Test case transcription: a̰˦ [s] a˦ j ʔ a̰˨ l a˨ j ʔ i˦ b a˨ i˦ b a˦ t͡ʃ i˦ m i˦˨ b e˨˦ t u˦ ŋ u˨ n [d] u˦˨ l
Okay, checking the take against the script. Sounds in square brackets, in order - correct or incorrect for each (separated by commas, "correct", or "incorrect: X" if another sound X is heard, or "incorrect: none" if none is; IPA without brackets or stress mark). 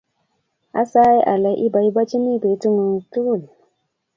correct, incorrect: t